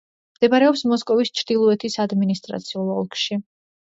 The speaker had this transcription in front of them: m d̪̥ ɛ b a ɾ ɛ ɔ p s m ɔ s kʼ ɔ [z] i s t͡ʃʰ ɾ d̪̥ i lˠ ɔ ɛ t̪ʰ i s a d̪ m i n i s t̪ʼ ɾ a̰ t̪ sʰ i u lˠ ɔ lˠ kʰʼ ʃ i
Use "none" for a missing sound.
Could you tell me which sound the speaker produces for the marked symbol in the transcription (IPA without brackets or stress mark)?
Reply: v